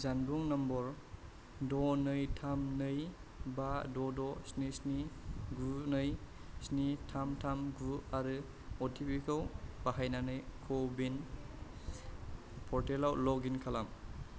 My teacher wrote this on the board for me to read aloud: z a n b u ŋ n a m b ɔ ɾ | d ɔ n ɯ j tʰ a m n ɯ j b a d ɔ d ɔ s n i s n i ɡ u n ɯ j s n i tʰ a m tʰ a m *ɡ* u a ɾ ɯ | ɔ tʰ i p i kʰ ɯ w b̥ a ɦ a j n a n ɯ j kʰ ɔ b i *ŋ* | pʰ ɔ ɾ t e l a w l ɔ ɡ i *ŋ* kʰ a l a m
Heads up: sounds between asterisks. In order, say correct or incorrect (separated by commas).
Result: correct, incorrect, incorrect